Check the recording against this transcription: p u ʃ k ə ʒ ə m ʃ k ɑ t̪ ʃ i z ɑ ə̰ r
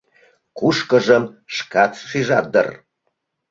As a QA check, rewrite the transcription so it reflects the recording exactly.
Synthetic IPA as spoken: k u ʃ k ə ʒ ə m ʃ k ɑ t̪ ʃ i ʒ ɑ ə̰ r